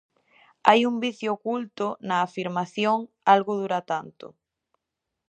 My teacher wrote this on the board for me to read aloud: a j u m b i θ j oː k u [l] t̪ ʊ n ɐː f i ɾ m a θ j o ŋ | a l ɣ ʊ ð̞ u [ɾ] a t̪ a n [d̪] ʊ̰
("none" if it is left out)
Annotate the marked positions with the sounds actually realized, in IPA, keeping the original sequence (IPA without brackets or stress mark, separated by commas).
l, ɾ, t̪